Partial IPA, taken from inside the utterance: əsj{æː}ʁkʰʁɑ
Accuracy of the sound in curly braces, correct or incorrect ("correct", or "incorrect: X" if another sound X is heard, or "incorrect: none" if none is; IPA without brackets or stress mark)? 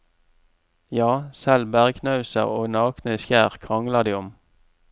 correct